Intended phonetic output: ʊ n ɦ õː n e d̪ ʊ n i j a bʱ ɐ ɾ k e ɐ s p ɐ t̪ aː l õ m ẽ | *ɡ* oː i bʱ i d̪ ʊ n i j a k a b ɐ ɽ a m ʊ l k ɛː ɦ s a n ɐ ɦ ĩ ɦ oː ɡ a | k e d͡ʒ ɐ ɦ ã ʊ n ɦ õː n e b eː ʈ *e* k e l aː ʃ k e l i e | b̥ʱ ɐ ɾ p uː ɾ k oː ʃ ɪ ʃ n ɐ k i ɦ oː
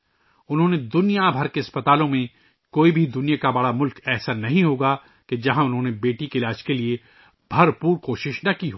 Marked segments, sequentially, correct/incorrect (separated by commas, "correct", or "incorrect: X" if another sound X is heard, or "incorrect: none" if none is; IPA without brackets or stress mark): incorrect: k, incorrect: i